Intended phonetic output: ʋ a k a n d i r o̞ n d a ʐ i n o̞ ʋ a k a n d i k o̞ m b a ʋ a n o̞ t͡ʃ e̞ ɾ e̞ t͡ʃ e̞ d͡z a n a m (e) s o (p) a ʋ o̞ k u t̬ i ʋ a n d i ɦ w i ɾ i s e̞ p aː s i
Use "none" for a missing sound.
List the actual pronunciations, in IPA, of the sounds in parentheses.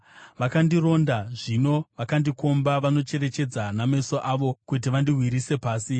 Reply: e, ʔ

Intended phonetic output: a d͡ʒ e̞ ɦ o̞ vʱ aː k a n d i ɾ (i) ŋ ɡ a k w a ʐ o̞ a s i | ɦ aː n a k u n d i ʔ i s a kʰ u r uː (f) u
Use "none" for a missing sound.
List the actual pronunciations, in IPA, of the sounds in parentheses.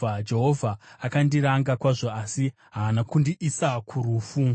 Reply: a, f

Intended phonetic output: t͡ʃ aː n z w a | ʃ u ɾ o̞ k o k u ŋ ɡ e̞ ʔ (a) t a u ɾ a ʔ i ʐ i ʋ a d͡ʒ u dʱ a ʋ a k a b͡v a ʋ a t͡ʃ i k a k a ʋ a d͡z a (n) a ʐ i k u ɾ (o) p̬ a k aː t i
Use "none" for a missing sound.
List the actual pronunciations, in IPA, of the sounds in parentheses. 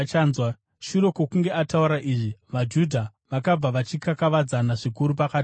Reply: a, n, u

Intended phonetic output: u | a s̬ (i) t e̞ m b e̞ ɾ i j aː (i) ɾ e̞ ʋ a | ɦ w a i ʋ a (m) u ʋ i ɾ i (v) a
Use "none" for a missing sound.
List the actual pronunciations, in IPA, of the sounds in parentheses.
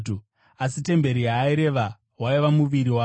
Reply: i, i, m, w

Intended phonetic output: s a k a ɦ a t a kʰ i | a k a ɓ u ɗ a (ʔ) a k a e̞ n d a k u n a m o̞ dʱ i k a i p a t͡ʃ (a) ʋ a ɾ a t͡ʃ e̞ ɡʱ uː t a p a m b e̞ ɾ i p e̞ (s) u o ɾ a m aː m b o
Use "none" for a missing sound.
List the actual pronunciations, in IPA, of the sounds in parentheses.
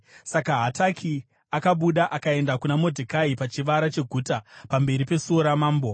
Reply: ʔ, i, s

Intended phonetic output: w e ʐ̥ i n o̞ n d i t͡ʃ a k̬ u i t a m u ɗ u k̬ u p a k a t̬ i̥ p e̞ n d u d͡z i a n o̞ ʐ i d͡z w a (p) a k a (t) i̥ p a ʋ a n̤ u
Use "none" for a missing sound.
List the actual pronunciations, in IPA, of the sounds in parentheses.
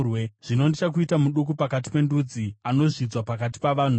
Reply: p, t

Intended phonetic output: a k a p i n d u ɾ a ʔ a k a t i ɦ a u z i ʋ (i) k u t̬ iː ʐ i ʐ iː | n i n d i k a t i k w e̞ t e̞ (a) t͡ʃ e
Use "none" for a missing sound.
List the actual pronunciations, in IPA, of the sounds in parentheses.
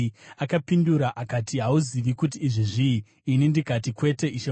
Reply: i, i

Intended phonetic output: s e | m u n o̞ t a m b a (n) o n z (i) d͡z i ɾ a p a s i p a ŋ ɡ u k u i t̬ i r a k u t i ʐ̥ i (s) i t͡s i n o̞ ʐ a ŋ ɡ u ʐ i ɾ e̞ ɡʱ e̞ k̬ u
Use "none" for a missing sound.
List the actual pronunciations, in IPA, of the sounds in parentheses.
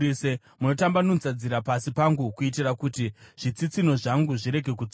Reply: n, a, t͡s

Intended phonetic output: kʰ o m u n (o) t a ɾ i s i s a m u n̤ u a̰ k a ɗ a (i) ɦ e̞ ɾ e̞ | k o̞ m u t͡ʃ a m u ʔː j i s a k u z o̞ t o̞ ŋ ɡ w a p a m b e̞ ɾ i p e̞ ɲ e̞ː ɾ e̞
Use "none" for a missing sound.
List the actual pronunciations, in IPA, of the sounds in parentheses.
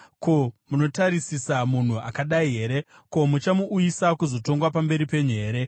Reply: o, i

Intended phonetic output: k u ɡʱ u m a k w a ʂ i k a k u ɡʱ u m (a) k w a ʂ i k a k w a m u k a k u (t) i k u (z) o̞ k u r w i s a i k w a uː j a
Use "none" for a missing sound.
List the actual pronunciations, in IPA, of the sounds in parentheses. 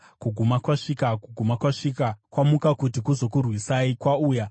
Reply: a, t, z

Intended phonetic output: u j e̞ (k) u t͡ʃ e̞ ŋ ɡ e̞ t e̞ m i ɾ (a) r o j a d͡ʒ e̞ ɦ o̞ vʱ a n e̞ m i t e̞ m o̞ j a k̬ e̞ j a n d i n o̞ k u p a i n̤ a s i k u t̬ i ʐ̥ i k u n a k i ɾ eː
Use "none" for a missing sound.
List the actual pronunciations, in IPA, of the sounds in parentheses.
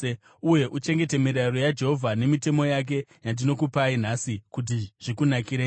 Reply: ʔ, a

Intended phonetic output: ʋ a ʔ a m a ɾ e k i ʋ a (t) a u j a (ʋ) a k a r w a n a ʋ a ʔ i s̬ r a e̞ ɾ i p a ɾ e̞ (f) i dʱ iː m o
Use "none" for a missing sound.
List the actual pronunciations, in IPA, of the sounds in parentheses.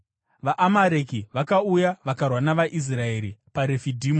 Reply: k, ʋ, f

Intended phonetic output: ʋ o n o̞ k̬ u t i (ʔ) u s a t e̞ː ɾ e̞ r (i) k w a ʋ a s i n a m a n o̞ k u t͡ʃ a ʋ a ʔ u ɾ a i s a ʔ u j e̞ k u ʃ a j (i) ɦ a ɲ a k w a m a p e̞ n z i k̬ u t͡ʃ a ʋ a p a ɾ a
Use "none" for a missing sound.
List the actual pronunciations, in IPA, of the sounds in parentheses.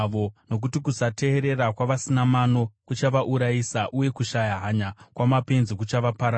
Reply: k, a, a

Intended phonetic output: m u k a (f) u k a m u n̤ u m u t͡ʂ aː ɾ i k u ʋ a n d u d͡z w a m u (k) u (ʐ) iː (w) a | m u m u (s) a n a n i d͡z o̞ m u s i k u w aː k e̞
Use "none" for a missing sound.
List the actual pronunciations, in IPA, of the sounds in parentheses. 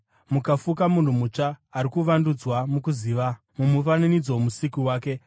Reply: f, k, z, ʋ, f

